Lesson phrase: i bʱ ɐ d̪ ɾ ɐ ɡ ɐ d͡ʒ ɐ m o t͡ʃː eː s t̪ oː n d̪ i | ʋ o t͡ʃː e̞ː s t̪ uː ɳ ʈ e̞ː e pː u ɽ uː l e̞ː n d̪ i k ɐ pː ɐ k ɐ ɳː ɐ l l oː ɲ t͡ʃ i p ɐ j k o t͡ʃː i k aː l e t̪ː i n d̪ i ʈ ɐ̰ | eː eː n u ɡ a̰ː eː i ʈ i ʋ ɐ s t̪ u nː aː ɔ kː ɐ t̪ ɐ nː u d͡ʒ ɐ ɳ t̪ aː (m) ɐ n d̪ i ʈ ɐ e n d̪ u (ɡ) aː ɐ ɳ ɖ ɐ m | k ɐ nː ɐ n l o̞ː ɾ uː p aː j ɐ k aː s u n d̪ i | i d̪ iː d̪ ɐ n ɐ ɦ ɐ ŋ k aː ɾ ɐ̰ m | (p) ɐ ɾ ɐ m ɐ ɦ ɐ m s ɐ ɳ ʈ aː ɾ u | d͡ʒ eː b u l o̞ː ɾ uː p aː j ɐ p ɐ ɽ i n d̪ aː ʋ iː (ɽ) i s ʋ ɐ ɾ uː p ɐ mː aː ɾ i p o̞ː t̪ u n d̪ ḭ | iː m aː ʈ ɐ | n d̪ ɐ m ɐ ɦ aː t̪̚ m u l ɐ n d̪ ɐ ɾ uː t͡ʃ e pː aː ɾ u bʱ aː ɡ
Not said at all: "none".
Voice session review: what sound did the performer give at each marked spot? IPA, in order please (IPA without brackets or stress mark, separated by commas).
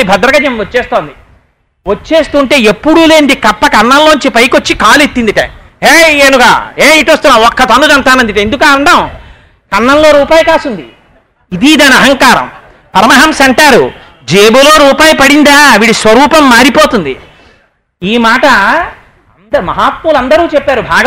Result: n, k, p, ɽ